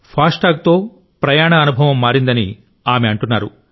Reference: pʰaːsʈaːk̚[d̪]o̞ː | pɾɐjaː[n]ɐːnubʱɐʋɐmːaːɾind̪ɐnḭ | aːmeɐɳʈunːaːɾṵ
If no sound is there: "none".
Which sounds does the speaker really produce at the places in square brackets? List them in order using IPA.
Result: t̪, ɳ

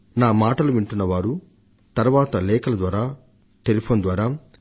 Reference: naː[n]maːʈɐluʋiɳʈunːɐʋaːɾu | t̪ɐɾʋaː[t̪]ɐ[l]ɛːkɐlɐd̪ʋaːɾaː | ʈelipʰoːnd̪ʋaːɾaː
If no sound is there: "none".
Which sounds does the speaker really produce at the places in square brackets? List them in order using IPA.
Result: none, t̪, l

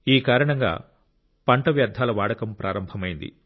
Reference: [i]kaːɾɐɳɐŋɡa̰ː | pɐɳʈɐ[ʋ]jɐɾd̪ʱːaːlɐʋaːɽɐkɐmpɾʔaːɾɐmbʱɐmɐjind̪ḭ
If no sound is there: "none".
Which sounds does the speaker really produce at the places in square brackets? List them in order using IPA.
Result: iː, ʋ

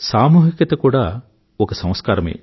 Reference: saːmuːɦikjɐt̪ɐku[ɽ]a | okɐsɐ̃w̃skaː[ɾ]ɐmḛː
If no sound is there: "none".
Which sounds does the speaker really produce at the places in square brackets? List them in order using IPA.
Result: ɽ, ɾ

